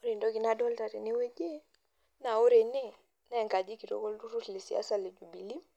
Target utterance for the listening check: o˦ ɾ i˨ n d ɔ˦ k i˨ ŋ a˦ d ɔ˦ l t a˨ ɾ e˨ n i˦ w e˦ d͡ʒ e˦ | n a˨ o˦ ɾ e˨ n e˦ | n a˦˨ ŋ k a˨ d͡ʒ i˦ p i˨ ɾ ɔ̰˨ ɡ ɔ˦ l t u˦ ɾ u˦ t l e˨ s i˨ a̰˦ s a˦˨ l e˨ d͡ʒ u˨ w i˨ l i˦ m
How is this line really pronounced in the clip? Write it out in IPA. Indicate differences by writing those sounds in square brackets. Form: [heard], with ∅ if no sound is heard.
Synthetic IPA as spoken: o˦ ɾ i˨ n d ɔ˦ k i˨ [n] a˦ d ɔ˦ l t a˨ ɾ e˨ n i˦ w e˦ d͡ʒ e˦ | n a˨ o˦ ɾ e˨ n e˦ | n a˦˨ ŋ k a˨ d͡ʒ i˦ [k] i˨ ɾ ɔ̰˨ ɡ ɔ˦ l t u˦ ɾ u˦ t l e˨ s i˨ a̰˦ s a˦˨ l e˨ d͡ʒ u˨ [b] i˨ l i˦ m